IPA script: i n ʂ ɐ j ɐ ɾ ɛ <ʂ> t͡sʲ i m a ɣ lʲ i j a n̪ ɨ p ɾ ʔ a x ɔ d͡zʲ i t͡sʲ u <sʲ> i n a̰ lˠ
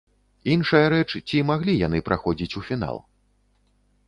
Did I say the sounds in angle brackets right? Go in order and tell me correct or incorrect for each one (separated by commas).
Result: incorrect, incorrect